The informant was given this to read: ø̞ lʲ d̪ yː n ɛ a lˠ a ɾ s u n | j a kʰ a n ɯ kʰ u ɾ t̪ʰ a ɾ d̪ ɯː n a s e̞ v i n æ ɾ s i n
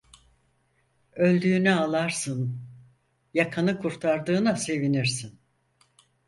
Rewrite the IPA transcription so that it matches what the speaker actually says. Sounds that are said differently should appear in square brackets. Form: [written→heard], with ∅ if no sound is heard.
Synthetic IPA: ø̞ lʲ d̪ yː n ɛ a lˠ a ɾ s [u→ɯ] n | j a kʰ a n ɯ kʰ u ɾ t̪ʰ a ɾ d̪ ɯː n a s e̞ v i n [æ→i] ɾ s i n